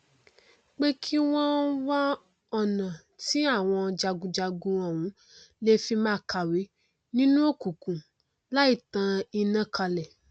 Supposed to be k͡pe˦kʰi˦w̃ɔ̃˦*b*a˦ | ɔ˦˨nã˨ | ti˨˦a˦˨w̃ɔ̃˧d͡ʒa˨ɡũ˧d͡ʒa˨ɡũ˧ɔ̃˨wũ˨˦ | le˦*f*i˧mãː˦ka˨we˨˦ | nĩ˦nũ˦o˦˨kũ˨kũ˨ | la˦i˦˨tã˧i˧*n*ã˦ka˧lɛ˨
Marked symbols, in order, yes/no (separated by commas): no, yes, yes